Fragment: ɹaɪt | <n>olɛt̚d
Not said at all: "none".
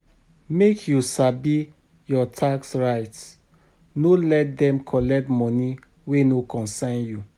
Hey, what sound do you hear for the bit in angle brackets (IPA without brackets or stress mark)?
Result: n